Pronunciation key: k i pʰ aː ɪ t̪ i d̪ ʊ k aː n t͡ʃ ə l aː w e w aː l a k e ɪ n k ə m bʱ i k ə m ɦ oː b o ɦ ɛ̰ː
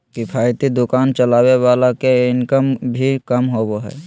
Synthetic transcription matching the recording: k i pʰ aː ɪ t̪ i d̪ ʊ k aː n t͡ʃ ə l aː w e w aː l a k e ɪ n k ə m bʱ i k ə m ɦ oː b o ɦ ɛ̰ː